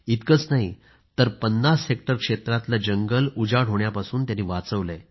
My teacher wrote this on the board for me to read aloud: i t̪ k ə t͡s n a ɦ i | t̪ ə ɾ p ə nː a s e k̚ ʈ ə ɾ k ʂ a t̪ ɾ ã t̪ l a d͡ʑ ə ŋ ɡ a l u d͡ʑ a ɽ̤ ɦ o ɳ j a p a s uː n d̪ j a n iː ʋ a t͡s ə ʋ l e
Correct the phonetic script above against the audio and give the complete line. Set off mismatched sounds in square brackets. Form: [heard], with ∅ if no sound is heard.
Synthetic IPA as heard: i t̪ k ə t͡s n a ɦ i | t̪ ə ɾ p ə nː a s e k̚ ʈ ə ɾ k ʂ [e] t̪ ɾ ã t̪ l a d͡ʑ ə ŋ ɡ [ə] l u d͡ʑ a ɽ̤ ɦ o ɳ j a p a s uː n [t̪] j a n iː ʋ a t͡s ə ʋ l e